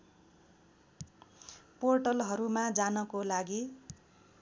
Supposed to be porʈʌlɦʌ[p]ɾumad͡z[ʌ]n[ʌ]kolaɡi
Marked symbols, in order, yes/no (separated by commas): no, no, yes